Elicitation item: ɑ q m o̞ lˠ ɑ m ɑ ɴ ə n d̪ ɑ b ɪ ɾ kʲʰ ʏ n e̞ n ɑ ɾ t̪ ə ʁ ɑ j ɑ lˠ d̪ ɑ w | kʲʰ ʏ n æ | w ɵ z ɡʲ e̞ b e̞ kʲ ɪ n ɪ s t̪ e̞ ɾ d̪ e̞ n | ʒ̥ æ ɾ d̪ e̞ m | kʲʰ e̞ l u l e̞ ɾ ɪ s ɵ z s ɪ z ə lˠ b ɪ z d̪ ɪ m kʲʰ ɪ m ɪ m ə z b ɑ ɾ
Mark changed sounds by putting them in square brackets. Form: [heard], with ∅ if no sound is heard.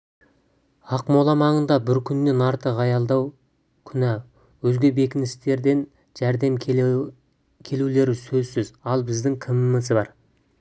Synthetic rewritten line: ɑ q m o̞ lˠ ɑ m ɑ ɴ ə n d̪ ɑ b ɪ ɾ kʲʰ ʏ [nː] e̞ n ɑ ɾ t̪ ə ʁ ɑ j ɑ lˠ d̪ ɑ w | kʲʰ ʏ n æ | w ɵ z ɡʲ e̞ b e̞ kʲ ɪ n ɪ s t̪ e̞ ɾ d̪ e̞ n | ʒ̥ æ ɾ d̪ e̞ m | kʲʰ e̞ l u l e̞ ɾ ɪ s ɵ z s ɪ z [ɑ] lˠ b ɪ z d̪ ɪ [ŋ] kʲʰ ɪ m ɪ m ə z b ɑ ɾ